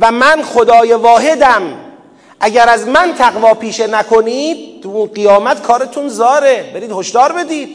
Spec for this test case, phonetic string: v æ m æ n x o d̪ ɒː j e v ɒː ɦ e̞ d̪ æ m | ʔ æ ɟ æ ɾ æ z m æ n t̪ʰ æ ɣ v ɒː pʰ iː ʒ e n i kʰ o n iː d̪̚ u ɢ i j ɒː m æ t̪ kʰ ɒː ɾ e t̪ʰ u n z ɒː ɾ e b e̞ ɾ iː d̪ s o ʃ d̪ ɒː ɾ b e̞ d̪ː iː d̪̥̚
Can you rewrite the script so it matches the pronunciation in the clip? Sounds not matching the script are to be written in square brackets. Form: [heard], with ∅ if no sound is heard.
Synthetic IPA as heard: v æ m æ n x o d̪ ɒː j e v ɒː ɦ e̞ d̪ æ m | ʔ æ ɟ æ ɾ æ z m æ n t̪ʰ æ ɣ v ɒː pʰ iː [ʃ] e n [æ] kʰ o n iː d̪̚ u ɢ i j ɒː m æ t̪ kʰ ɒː ɾ e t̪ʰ u n z ɒː ɾ e b e̞ ɾ iː d̪ [h] o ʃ d̪ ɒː ɾ b e̞ [d̪] iː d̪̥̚